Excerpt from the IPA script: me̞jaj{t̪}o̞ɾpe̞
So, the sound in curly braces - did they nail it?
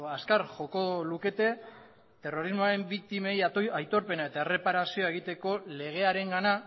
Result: yes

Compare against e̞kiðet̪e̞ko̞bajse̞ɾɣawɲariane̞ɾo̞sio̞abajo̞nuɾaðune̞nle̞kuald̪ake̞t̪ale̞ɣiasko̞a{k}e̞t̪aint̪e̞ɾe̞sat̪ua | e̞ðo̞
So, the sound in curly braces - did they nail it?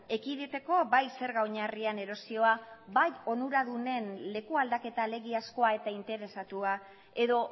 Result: no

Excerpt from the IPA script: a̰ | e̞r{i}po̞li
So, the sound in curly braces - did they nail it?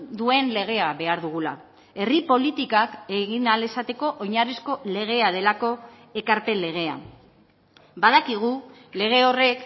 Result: yes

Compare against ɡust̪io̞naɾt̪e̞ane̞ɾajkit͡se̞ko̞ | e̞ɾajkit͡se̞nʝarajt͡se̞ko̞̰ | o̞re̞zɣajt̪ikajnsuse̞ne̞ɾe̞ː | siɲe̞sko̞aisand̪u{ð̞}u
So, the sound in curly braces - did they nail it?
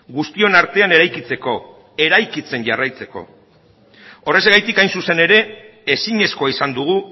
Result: no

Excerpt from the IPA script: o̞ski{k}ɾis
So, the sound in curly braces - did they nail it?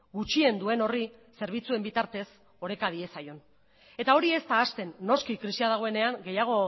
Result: yes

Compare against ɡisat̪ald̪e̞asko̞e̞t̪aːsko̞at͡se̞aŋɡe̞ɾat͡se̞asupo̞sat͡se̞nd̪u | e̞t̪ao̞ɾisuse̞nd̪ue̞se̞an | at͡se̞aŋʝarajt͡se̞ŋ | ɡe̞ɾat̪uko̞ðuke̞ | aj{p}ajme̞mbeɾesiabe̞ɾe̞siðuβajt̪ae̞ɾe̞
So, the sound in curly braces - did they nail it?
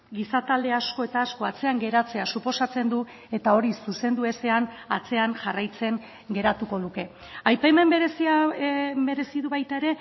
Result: yes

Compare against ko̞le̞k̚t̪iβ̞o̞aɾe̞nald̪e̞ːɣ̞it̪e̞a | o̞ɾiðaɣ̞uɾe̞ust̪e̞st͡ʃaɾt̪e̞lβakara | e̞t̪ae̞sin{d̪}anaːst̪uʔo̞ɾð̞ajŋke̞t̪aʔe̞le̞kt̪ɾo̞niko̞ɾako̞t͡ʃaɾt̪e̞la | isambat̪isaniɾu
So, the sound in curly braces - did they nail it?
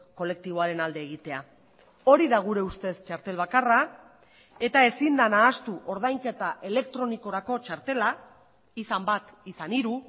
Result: yes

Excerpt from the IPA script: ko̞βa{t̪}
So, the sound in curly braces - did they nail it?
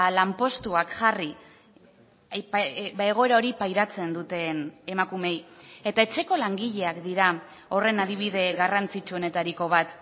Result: yes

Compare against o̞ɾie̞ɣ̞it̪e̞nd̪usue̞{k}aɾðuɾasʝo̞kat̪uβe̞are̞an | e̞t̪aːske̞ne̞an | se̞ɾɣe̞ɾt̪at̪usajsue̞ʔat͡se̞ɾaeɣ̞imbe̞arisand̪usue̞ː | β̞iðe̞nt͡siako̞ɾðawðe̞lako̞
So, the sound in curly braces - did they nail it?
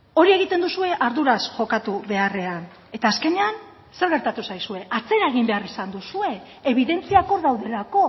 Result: no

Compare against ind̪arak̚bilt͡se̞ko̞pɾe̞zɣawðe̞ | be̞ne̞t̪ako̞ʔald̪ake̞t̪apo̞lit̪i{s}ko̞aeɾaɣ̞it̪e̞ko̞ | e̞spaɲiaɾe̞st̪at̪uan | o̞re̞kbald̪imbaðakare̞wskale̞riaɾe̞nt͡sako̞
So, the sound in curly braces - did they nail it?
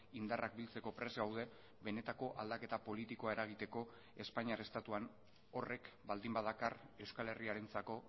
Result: no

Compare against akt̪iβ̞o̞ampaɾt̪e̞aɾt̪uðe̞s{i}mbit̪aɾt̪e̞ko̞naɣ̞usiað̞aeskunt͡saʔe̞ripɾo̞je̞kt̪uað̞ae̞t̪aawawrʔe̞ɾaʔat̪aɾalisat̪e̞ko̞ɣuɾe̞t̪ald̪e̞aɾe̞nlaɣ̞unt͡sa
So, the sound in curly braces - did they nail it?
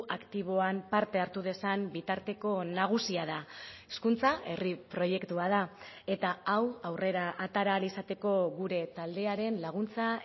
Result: no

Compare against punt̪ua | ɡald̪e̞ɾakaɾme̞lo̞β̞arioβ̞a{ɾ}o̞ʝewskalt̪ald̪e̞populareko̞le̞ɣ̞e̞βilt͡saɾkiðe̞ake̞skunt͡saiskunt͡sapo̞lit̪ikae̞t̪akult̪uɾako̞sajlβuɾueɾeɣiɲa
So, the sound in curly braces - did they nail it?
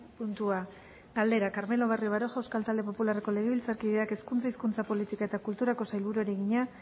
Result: yes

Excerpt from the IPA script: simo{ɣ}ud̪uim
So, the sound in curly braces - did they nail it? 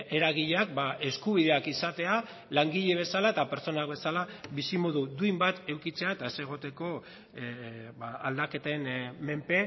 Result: no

